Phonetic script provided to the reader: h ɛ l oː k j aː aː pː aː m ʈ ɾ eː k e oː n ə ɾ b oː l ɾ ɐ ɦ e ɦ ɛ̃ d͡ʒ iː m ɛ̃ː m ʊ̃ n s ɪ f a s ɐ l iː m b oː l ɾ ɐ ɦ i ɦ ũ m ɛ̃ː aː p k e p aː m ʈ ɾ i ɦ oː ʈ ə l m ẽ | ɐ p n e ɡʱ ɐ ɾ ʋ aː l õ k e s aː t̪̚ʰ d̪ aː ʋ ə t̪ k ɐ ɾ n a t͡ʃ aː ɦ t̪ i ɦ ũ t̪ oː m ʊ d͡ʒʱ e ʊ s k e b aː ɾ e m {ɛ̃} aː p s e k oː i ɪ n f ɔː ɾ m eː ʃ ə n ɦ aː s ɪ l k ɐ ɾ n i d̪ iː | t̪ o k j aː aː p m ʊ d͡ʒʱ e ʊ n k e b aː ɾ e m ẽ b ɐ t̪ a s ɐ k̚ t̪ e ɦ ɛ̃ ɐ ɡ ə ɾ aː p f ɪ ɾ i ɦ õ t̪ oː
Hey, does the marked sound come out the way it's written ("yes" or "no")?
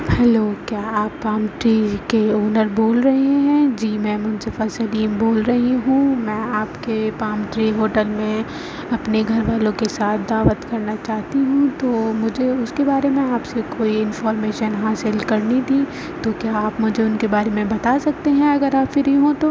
no